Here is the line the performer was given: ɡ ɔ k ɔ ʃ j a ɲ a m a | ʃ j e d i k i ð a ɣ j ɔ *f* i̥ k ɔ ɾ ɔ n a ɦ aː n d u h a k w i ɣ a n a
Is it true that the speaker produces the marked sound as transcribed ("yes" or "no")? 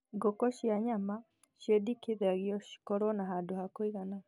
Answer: no